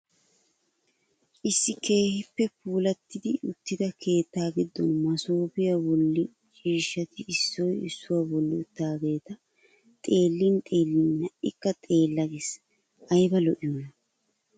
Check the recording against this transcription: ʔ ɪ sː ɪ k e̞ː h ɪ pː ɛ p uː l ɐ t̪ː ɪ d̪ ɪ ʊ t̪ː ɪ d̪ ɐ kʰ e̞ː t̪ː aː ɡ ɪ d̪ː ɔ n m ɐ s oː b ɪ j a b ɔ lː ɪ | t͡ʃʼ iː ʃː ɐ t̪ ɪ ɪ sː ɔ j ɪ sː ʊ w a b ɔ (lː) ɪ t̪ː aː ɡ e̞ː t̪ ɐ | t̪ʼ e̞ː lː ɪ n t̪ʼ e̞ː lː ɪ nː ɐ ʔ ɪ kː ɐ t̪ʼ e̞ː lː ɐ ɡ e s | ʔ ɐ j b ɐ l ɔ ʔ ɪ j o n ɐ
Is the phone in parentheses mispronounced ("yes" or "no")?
no